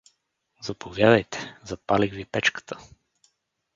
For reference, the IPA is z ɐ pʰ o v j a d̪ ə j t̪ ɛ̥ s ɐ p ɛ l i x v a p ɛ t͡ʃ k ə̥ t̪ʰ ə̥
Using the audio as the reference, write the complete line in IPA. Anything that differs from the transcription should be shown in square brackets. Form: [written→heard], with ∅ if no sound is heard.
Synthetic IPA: z ɐ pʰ o v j a d̪ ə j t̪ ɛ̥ [s→z] ɐ p [ɛ→a] l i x v [a→i] p ɛ t͡ʃ k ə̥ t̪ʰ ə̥